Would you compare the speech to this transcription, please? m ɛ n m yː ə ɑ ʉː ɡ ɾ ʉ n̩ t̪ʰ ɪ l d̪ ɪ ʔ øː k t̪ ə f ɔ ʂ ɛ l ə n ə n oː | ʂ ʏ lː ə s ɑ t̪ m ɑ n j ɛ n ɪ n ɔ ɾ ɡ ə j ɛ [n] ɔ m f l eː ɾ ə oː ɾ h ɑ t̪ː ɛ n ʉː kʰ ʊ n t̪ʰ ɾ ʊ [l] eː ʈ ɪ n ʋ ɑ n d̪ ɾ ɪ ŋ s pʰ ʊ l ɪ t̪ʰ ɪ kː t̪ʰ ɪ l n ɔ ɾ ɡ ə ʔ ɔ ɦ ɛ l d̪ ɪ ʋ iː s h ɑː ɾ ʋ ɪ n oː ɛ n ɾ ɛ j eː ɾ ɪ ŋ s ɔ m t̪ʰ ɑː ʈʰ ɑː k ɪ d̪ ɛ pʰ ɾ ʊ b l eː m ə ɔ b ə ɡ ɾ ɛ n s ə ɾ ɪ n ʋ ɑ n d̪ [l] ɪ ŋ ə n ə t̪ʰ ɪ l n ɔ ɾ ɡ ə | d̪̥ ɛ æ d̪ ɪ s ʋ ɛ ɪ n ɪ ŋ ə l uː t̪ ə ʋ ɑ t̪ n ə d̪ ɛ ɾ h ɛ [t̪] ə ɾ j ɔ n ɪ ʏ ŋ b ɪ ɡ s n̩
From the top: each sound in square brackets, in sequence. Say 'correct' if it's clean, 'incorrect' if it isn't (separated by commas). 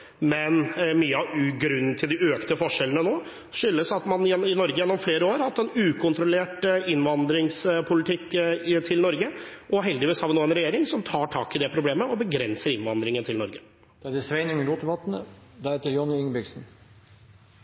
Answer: incorrect, correct, incorrect, correct